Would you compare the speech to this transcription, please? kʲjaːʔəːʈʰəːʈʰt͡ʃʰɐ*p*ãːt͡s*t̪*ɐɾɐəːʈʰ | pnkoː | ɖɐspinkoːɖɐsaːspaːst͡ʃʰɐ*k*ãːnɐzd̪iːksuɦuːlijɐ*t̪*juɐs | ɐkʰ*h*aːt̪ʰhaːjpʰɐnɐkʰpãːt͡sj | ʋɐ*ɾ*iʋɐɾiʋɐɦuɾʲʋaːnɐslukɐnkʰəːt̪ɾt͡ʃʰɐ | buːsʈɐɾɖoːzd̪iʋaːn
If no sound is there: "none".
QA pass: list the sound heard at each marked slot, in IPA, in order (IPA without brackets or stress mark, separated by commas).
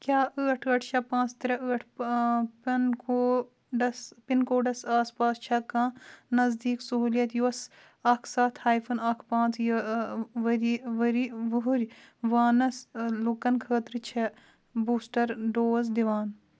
p, t̪, k, t̪, s, ɾ